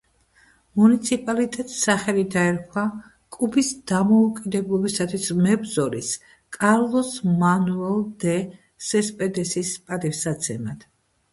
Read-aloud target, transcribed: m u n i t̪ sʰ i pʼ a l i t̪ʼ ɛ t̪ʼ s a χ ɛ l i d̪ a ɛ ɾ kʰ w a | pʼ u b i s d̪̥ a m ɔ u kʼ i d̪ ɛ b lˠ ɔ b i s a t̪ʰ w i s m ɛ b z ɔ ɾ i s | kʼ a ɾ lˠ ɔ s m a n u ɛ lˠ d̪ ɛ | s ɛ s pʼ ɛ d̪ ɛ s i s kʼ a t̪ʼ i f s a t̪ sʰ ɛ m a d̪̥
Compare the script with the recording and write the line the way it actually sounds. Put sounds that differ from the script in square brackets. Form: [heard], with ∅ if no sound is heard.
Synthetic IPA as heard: m u n i t̪ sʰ i pʼ a l i t̪ʼ ɛ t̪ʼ s a χ ɛ l i d̪ a ɛ ɾ kʰ w a | [kʼ] u b i s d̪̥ a m ɔ u kʼ i d̪ ɛ b lˠ ɔ b i s a t̪ʰ w i s m ɛ b z ɔ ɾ i s | kʼ a ɾ lˠ ɔ s m a n u ɛ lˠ d̪ ɛ | s ɛ s pʼ ɛ d̪ ɛ s i s [pʼ] a t̪ʼ i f s a t̪ sʰ ɛ m a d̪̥